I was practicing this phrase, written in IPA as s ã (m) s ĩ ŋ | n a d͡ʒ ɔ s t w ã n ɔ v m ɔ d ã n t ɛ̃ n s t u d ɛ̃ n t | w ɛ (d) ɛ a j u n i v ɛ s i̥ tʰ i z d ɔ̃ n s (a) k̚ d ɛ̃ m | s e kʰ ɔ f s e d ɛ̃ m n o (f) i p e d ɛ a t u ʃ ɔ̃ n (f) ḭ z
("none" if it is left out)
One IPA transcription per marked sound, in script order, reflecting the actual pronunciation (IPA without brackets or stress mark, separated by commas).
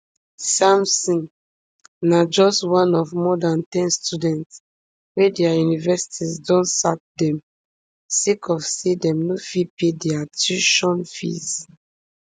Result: m, d, a, f, f